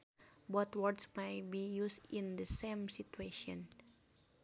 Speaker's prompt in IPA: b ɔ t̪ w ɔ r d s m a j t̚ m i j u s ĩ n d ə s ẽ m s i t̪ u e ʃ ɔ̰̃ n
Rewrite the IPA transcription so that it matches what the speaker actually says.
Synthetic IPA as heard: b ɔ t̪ w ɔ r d s m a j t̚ b i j u s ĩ n d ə s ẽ m s i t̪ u e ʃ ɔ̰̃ n